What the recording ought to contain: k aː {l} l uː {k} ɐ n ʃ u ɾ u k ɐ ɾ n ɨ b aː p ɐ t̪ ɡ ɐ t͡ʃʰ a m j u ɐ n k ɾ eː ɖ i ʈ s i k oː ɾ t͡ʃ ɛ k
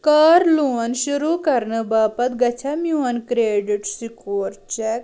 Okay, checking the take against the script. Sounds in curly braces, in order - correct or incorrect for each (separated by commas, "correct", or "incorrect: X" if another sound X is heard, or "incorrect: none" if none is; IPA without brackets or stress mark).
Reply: incorrect: ɾ, incorrect: none